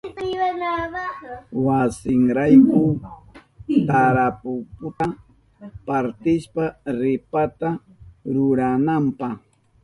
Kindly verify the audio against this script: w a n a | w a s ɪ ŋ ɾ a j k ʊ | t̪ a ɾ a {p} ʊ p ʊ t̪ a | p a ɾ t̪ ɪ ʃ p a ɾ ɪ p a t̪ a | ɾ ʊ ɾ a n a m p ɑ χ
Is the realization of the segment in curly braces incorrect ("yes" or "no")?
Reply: no